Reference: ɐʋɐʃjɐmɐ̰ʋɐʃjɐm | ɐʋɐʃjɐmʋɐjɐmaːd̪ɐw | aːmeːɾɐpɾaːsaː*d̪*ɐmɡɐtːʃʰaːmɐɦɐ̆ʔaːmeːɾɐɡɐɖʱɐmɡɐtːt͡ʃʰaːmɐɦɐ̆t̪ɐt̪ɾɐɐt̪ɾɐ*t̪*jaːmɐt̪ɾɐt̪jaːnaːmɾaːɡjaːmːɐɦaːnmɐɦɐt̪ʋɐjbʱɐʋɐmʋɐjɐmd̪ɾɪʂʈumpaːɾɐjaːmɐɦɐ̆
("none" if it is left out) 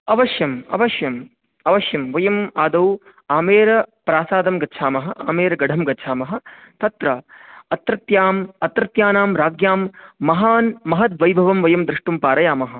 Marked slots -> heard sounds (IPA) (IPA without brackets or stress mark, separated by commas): d̪, t̪